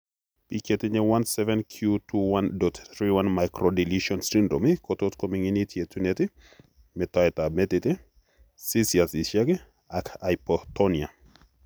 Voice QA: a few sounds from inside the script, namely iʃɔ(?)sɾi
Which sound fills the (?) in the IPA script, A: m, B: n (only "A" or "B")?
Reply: B